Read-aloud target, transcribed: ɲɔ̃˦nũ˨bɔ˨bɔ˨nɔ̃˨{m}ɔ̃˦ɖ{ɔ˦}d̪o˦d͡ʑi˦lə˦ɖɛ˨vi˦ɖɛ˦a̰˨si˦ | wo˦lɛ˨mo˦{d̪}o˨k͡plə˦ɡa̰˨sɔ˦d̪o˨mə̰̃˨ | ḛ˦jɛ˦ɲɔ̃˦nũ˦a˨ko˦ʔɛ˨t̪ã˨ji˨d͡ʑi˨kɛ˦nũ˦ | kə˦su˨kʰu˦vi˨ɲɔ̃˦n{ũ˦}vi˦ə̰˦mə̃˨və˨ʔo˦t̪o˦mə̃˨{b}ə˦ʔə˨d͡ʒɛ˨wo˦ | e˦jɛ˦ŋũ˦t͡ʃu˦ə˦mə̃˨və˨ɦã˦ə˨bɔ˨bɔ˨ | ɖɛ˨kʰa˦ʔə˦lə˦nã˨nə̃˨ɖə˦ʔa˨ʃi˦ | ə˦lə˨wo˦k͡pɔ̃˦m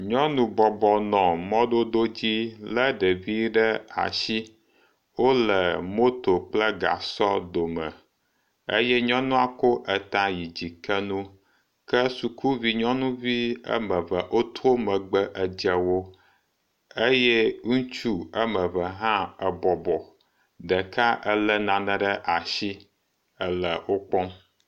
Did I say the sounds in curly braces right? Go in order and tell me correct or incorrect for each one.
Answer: correct, incorrect: o˦, incorrect: t̪, correct, incorrect: ɡ͡b

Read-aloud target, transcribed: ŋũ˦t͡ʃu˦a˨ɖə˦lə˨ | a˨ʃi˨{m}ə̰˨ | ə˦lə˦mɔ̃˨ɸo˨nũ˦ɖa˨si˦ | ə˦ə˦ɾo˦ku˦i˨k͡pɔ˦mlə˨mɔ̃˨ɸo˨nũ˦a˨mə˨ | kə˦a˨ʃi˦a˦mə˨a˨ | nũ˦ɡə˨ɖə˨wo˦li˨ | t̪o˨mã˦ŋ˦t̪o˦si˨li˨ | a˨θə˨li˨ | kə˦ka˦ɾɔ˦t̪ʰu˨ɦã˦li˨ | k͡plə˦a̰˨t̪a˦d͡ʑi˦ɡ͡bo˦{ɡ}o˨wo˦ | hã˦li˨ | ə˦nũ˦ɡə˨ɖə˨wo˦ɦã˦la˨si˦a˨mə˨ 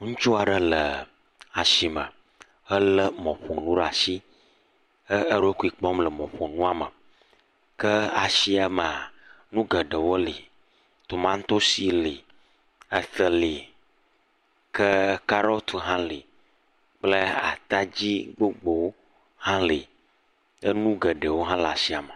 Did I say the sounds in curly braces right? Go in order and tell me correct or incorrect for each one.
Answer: correct, incorrect: ɡ͡b

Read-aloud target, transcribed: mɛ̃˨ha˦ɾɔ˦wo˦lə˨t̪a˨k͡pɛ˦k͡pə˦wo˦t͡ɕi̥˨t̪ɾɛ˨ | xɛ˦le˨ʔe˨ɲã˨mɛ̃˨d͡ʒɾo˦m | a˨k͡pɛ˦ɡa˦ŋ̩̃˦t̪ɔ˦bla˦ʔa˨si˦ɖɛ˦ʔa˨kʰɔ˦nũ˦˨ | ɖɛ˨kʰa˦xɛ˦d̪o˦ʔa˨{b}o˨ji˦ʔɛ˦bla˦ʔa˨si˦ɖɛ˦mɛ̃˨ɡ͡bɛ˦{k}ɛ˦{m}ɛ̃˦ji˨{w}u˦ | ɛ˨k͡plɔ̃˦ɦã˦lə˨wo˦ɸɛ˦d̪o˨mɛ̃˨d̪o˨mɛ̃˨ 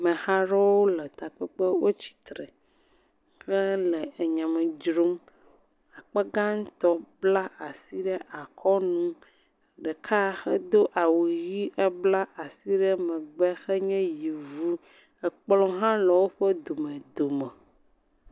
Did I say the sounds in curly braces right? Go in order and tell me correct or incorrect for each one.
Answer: incorrect: w, incorrect: x, incorrect: ɲ, incorrect: v

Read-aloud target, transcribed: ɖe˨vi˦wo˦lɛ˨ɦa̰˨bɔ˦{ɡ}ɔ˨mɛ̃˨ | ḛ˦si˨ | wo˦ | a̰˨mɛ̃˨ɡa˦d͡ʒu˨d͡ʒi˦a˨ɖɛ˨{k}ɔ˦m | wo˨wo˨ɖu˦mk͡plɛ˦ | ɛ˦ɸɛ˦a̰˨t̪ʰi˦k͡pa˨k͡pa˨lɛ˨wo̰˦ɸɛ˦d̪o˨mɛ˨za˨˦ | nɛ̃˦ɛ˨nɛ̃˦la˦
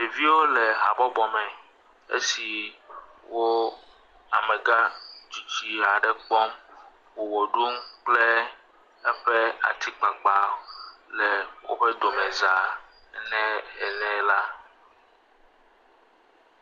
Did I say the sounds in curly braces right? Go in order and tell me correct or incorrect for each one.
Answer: incorrect: b, incorrect: k͡p

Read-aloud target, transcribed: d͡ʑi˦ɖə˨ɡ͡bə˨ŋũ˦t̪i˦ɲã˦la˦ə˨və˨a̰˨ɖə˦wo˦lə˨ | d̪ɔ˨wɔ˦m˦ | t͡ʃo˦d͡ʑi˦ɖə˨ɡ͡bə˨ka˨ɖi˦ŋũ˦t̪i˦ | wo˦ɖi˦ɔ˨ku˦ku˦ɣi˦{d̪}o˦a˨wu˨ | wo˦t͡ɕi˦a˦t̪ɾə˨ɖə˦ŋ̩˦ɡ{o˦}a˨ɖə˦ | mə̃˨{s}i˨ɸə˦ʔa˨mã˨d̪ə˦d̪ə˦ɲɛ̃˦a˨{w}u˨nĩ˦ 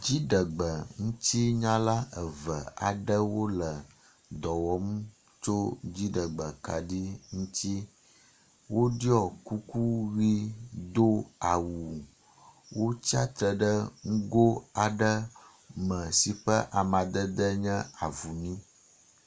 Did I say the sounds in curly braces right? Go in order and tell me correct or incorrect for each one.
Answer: correct, correct, correct, incorrect: v

